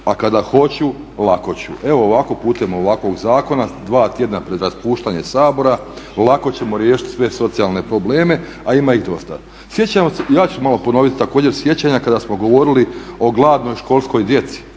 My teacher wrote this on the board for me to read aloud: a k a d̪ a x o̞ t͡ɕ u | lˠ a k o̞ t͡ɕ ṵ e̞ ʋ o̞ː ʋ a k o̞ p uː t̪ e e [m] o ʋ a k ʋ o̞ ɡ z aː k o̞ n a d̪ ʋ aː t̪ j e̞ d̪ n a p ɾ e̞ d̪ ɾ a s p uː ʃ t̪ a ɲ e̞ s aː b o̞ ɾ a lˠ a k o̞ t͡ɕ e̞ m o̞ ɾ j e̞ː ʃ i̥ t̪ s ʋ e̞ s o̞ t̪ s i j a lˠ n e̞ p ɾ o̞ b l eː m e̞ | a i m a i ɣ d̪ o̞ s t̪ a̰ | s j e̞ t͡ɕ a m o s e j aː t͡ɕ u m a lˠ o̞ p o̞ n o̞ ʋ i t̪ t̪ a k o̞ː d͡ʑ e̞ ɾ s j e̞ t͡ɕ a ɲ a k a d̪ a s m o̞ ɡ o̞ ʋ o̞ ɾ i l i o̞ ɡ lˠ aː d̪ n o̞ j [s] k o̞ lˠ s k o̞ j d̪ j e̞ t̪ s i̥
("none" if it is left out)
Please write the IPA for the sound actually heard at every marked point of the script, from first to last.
m, ʃ

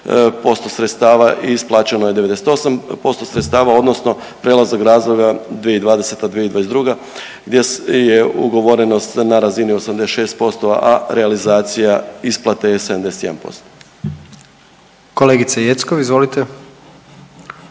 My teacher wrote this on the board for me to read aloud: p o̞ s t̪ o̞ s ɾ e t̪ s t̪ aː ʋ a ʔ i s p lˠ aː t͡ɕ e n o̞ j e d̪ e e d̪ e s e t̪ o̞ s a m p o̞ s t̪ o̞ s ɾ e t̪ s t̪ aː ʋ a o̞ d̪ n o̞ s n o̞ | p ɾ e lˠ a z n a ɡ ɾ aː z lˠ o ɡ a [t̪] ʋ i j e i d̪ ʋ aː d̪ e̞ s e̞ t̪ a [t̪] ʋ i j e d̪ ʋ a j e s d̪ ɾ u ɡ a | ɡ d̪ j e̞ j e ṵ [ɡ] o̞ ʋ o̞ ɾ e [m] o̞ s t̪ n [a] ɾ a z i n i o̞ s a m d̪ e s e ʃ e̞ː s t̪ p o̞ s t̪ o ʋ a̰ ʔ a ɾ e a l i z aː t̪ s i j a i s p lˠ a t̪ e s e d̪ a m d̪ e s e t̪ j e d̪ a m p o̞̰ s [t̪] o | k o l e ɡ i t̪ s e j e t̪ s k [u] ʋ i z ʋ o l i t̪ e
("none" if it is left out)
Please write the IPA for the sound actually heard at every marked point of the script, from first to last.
d̪, d̪, ɡ, n, a, t̪, o

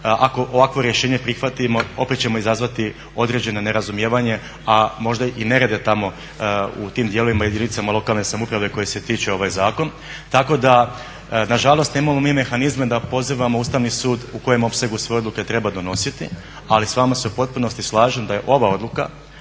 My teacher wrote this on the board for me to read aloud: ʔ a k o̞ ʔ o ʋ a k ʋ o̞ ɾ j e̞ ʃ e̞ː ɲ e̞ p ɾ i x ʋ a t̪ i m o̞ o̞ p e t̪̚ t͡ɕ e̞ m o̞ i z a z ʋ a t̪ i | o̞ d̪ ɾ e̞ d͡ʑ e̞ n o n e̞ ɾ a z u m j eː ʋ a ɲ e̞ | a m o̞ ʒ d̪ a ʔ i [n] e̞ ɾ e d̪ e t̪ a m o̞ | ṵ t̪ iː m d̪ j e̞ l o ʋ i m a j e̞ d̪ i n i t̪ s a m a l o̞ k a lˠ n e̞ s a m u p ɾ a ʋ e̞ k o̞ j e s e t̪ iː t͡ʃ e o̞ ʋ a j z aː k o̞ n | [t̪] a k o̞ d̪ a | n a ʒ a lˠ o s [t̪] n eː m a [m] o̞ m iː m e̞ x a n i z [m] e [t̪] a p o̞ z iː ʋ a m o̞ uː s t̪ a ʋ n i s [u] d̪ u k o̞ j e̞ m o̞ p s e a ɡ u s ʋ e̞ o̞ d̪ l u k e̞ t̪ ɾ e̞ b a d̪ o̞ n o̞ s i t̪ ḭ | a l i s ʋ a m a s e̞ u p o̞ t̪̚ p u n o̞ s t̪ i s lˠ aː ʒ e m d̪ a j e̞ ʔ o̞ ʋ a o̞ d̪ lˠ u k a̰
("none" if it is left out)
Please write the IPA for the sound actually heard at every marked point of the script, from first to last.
n, t̪, t̪, m, m, d̪, uː

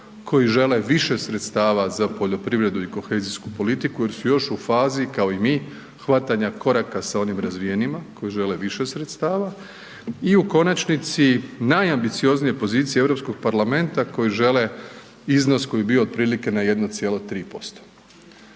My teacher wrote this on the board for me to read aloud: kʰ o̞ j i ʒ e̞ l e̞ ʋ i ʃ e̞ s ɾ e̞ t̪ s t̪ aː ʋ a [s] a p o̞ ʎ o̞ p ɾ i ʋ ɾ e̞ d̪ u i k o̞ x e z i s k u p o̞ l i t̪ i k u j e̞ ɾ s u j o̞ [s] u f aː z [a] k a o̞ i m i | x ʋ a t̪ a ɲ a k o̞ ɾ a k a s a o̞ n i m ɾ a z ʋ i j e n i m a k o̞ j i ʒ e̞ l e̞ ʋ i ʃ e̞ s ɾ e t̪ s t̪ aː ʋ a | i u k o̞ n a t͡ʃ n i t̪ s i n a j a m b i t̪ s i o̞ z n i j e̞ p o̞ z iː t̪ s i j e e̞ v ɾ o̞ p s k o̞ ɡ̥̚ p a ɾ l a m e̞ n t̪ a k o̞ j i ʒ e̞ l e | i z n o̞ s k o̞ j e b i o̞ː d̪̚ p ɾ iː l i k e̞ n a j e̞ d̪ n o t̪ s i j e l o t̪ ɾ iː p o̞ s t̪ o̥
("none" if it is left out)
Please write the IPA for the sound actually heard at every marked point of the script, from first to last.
z, ʃ, i

